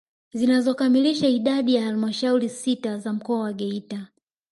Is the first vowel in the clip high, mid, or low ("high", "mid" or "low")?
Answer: high